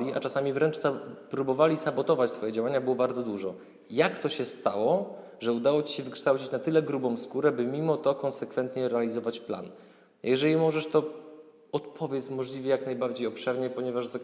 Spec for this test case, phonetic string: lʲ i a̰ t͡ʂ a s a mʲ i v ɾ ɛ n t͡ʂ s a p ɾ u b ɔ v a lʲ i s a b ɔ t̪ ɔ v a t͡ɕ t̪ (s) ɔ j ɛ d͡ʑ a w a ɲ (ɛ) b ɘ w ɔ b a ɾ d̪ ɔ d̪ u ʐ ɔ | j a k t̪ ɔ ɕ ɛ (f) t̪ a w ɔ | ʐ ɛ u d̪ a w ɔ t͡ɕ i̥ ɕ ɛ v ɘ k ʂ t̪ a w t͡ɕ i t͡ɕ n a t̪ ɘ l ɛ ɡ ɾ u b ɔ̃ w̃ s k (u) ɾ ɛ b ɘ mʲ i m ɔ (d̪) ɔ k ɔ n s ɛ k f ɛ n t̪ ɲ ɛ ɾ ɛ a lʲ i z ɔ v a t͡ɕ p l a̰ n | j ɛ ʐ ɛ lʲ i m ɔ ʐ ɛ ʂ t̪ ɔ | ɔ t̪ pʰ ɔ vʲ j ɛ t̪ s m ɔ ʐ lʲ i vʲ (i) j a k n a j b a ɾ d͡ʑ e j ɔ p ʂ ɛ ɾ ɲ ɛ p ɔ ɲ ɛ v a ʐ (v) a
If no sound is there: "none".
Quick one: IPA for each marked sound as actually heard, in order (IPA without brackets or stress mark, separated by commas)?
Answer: f, a, s, u, t̪, ɛ, z